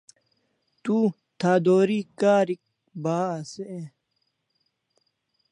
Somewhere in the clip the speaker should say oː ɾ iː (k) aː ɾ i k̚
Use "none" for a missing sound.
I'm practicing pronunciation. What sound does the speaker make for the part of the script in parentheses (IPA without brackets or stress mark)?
k